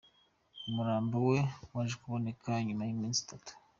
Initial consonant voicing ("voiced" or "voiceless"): voiced